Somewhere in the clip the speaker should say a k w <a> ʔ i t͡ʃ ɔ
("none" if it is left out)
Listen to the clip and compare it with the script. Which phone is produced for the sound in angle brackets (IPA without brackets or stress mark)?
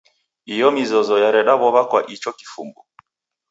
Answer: a